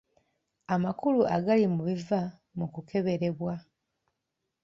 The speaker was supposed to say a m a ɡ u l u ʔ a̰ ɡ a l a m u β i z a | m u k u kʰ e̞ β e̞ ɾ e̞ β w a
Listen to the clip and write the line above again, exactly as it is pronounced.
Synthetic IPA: a m a k u l u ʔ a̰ ɡ a l i m u β i v a | m u k u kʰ e̞ β e̞ ɾ e̞ β w a

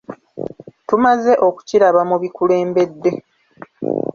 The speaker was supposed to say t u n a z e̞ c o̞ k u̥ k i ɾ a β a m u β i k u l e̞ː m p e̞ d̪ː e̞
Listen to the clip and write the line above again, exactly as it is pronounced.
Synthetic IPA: t u m a z e̞ ʔ o̞ k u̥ c i ɾ a β a m u β i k u l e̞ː m b e̞ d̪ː e̞

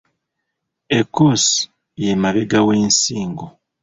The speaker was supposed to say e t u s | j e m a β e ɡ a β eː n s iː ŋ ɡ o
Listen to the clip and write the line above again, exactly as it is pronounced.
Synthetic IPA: e k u s | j e m a β e ɡ a w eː n s iː ŋ ɡ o

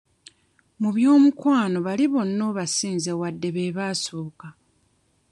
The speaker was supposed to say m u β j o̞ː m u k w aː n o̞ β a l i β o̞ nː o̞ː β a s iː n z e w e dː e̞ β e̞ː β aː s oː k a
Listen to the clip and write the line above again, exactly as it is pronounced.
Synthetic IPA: m u β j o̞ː m u k w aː n o̞ β a l i β o̞ nː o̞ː β a s iː n z e w a dː e̞ β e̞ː β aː s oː k a

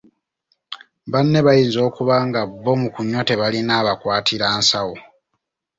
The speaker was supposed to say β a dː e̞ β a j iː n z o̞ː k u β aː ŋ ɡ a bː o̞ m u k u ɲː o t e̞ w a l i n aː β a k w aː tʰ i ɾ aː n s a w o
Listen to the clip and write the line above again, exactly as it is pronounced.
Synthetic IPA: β a nː e̞ β a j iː n z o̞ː k u β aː ŋ ɡ a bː o̞ m u k u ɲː o t e̞ β a l i n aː β a k w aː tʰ i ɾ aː n s a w o

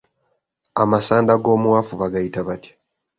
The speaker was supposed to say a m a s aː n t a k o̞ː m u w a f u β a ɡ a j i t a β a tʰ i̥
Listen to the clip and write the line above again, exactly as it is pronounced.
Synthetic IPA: a m a s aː n d a ɡ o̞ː m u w a f u β a ɡ a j i t a β a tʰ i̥

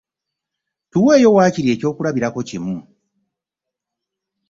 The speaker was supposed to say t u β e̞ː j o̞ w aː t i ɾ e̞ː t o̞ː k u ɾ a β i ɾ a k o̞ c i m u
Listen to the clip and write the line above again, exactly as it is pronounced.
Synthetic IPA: t u w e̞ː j o̞ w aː c i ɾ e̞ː c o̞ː k u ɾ a β i ɾ a k o̞ c i m u

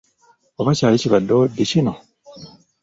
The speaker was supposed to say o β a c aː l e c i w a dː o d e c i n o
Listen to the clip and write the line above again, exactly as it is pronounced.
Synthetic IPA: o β a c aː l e c i β a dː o d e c i n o

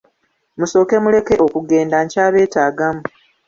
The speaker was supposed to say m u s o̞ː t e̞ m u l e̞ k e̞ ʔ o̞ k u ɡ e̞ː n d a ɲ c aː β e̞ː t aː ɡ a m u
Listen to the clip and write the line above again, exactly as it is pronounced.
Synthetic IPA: m u s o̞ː k e̞ m u l e̞ k e̞ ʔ o̞ k u ɡ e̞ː n d a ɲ c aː β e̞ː t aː ɡ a m u

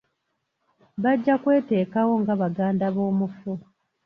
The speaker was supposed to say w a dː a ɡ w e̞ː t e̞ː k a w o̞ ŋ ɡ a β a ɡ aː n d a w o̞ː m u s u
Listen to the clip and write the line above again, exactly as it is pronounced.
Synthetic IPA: β a ɟː a k w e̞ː t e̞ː k a w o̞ ŋ ɡ a β a ɡ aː n d a β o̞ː m u f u

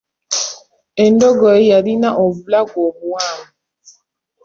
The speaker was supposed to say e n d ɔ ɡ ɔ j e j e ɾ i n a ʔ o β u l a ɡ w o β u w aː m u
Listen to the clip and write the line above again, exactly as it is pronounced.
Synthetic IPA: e n d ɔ ɡ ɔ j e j a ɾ i n a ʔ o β u l a ɡ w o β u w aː m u

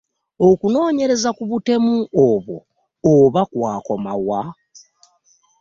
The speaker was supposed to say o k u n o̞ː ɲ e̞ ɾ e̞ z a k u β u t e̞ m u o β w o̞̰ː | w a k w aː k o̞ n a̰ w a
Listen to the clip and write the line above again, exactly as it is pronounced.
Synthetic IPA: o k u n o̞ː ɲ e̞ ɾ e̞ z a k u β u t e̞ m u o β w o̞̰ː | β a k w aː k o̞ m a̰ w a

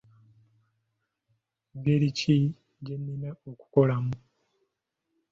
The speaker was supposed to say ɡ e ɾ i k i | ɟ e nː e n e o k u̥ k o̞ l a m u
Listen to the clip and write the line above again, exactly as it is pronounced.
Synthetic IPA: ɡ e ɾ i c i | ɟ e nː i n e o k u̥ k o̞ l a m u

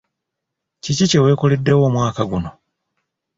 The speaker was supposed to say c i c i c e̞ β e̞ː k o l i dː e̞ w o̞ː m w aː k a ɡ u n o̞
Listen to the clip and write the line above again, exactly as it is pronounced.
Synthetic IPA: c i c i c e̞ w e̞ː k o l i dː e̞ w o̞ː m w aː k a ɡ u n o̞

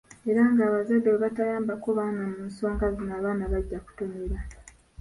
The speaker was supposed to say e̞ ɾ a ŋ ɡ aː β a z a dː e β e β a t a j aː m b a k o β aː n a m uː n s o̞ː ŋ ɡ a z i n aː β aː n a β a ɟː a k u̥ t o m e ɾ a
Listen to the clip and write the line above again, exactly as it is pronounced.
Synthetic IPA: e̞ ɾ a ŋ ɡ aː β a z a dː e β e β a t a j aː m b a k o β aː n a m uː n s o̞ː ŋ ɡ a z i n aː β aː n a β a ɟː a k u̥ t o m e ɾ a

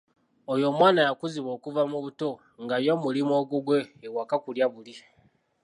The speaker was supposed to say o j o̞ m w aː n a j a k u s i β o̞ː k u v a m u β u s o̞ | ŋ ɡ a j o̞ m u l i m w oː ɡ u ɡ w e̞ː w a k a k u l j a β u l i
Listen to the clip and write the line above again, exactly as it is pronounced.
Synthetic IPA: o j o̞ m w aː n a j a k u z i β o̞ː k u v a m u β u t o̞ | ŋ ɡ a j o̞ m u l i m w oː ɡ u ɡ w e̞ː w a k a k u l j a β u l i

